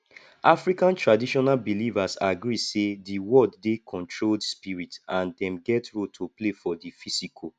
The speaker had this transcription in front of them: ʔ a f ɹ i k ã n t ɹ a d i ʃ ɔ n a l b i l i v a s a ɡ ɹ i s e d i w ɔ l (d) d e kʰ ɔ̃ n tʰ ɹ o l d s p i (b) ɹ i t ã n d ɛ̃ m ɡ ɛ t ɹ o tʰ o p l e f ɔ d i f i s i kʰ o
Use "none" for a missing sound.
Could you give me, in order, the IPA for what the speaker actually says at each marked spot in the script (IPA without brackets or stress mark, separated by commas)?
d, none